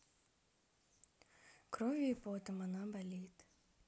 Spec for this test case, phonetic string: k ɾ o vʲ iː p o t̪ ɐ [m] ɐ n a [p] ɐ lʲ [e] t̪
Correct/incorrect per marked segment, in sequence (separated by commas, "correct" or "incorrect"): correct, incorrect, incorrect